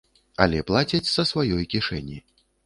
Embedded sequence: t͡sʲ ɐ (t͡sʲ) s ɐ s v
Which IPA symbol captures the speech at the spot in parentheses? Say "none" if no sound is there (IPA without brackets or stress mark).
t͡sʲ